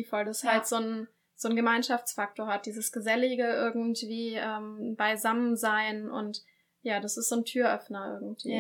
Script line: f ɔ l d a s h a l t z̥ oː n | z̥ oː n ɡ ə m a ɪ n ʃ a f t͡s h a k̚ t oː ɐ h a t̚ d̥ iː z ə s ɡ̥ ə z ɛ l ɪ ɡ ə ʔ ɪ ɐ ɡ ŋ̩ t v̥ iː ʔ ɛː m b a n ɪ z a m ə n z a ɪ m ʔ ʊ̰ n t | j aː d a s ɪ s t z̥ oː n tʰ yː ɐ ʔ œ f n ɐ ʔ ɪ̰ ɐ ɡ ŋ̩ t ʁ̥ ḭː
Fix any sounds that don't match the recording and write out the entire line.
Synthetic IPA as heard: f ɔ l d a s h a l t z̥ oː n | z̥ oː n ɡ ə m a ɪ n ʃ a f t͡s f a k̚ t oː ɐ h a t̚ d̥ iː z ə s ɡ̥ ə z ɛ l ɪ ɡ ə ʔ ɪ ɐ ɡ ŋ̩ t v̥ iː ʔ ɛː m b a ɪ z a m ə n z a ɪ n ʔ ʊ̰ n t | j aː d a s ɪ s t z̥ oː n tʰ yː ɐ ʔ œ f n ɐ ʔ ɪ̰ ɐ ɡ ŋ̩ t v̥ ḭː